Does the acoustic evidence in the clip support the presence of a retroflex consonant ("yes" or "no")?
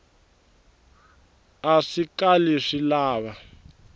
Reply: yes